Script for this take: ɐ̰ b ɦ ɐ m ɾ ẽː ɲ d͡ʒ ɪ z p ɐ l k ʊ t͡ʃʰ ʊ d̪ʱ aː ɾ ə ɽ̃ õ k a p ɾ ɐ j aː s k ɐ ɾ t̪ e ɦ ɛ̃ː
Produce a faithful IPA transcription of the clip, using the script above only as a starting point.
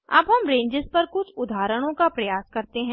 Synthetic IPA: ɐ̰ b ɦ ɐ m ɾ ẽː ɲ d͡ʒ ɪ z p ɐ ɾ k ʊ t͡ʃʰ ʊ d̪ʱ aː ɾ ə ɽ̃ õ k a p ɾ ɐ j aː s k ɐ ɾ t̪ e ɦ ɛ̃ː